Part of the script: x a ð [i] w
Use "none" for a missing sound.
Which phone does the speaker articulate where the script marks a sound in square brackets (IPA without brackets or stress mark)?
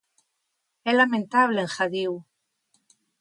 i